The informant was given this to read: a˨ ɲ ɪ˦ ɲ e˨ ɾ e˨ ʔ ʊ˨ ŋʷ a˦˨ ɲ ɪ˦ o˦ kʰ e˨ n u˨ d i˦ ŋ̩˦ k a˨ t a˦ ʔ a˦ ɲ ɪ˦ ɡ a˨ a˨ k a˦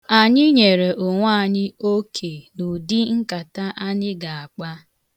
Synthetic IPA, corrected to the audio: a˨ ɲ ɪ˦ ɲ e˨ ɾ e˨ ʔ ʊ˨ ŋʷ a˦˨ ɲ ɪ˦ o˦ kʰ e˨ n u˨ d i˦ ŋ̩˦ k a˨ t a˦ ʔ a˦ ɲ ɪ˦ ɡ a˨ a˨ k͡p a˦